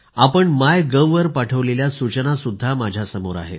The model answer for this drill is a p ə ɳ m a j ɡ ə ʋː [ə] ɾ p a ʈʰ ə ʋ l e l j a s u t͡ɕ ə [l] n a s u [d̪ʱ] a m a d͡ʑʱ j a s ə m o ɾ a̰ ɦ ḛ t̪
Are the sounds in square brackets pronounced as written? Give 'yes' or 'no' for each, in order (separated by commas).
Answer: yes, no, no